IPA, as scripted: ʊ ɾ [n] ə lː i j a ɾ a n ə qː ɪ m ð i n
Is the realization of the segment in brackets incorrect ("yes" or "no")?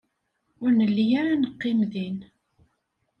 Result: no